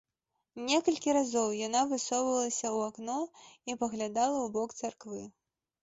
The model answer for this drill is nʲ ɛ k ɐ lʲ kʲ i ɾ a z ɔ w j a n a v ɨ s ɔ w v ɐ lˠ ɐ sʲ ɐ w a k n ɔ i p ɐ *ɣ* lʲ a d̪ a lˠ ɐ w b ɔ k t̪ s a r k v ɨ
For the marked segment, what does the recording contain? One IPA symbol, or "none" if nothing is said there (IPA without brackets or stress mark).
ɣ